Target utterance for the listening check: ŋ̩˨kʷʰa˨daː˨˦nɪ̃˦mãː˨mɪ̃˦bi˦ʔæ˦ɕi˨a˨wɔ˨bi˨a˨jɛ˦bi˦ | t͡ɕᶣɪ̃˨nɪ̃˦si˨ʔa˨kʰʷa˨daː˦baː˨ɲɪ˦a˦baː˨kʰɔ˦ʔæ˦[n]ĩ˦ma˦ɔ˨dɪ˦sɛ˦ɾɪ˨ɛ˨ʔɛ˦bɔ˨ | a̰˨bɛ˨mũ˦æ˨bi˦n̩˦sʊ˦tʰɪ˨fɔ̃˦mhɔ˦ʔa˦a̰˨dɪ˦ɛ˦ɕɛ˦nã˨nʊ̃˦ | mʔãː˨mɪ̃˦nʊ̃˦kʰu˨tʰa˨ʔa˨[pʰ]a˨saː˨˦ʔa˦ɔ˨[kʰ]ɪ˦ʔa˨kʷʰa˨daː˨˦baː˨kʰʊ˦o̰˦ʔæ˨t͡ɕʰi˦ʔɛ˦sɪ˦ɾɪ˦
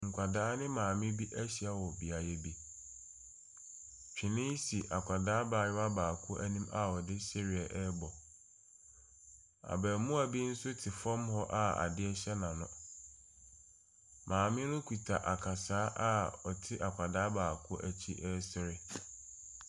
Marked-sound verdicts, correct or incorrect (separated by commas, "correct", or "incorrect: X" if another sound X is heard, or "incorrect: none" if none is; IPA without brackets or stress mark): correct, incorrect: kʰ, incorrect: tʰ